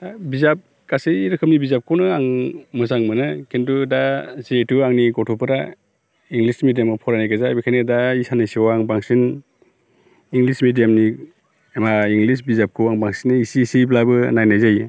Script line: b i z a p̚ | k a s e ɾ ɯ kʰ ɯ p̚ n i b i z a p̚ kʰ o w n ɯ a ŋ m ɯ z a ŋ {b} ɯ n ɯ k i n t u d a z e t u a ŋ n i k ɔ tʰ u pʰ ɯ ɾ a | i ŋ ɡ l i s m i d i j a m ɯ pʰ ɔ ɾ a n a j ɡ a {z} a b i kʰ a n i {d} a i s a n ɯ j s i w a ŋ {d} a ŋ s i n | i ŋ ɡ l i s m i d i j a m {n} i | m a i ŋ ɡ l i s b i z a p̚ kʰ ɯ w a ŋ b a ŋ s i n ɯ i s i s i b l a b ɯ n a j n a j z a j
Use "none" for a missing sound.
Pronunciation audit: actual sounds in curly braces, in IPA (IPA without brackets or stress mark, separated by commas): m, z, d, b, n